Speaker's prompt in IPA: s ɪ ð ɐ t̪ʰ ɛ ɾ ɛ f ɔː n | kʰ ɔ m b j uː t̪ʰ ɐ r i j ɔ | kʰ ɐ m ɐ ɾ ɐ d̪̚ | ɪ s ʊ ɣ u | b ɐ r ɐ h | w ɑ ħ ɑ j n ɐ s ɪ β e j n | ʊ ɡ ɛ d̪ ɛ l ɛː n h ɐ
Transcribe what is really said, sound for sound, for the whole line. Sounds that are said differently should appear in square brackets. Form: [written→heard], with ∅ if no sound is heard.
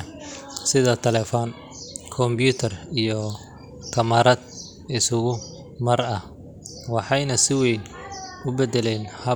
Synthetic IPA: s ɪ ð ɐ t̪ʰ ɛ [ɾ→l] ɛ f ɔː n | kʰ ɔ m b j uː t̪ʰ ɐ r i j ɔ | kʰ ɐ m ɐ ɾ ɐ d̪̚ | ɪ s ʊ ɣ [u→ʊ] | [b→m] ɐ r ɐ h | w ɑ ħ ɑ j n ɐ s ɪ [β→w] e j n | ʊ [ɡ→b] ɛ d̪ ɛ l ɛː n h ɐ